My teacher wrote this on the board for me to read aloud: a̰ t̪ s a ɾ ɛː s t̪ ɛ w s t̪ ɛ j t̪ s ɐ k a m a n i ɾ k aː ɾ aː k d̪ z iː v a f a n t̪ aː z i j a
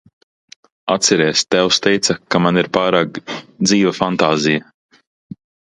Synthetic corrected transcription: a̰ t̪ s ɛ ɾ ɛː s t̪ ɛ w s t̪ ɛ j t̪ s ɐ k a m a n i ɾ p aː ɾ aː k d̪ z iː v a f a n t̪ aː z i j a